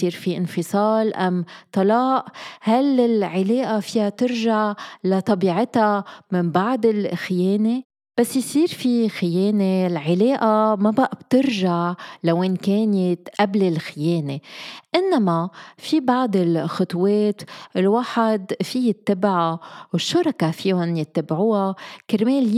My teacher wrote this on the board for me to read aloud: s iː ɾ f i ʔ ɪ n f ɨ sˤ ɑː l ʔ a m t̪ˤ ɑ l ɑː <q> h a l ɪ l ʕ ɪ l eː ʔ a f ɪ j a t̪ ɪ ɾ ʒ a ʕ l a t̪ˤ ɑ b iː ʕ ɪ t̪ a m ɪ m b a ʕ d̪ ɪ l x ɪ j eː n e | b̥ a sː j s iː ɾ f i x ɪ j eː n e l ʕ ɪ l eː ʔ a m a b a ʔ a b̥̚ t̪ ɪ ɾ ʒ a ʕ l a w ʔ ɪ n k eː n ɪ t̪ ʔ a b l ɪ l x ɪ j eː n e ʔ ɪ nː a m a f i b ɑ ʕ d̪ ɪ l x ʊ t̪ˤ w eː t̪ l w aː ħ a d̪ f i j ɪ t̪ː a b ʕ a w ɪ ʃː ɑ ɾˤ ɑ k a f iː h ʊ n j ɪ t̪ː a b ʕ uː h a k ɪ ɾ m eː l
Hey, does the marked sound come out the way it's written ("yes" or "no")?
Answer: no